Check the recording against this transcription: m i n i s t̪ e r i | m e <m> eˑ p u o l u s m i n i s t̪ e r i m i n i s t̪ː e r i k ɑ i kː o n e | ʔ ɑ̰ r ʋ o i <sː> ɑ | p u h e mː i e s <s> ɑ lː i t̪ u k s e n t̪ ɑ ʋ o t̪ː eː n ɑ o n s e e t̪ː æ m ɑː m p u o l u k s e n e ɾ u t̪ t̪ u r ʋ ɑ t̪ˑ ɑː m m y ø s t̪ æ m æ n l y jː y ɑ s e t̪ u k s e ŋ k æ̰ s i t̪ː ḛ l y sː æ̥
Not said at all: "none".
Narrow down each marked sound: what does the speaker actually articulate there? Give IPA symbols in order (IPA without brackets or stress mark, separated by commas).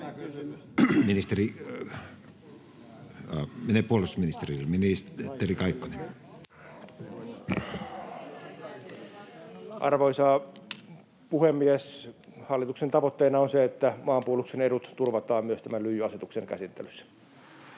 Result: n, s, h